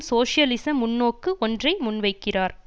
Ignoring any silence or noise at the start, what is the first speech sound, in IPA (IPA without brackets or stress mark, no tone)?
s